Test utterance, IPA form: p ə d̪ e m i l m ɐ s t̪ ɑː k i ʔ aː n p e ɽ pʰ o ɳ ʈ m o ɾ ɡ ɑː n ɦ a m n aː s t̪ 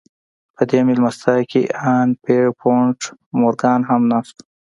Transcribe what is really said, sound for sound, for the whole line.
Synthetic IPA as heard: p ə d̪ e m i l m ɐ s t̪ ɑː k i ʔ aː n p e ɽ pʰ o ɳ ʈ m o ɾ ɡ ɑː n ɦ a m n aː s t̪